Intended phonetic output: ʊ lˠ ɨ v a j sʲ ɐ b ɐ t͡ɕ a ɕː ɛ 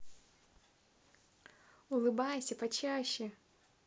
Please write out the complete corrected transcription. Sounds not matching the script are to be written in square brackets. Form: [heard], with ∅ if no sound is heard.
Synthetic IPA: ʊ lˠ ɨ [b] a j sʲ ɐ [p] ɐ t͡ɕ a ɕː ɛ